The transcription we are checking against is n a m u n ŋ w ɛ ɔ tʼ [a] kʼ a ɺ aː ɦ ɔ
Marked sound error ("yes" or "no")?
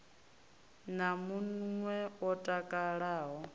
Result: no